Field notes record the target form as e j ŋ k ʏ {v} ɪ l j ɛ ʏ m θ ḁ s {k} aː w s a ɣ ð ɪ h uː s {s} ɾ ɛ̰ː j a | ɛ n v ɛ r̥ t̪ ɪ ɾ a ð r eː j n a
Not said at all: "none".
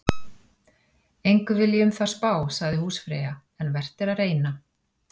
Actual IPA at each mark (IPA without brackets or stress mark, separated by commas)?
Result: v, p, f